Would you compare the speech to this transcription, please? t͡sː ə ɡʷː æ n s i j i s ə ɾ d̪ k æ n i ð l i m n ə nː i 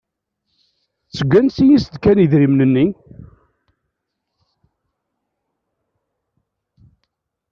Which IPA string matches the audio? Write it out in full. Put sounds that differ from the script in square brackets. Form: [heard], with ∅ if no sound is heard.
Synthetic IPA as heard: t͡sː ə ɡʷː æ n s i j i s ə [∅] d̪ k æ n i ð [ɾ] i m n ə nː i